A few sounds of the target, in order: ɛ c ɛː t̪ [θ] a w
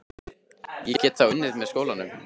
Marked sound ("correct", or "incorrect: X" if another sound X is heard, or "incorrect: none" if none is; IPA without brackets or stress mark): correct